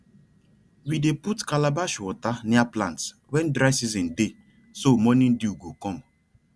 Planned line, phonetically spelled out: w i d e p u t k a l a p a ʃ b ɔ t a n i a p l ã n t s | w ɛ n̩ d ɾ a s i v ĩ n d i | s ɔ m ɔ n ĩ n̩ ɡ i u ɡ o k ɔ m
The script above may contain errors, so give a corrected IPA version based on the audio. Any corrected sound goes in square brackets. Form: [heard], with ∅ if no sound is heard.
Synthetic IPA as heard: w i d e p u t k a l a [b] a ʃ [w] ɔ t a n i a p l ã n t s | w ɛ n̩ d ɾ a s i [z] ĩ n d [e] | s [o] m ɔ n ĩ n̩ [d] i u ɡ o k ɔ m